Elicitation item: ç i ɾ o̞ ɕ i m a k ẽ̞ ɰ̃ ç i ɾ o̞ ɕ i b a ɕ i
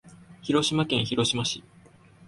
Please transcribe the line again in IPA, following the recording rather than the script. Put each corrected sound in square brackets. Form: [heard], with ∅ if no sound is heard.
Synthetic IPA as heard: ç i ɾ o̞ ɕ i m a k ẽ̞ ɰ̃ ç i ɾ o̞ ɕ i [m] a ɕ i